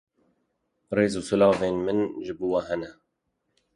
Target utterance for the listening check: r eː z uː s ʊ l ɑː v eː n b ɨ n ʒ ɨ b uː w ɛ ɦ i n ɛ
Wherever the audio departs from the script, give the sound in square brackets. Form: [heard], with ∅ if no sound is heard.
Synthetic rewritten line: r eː z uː s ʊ l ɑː v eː n [m] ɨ n ʒ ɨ b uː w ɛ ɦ [ɛ] n ɛ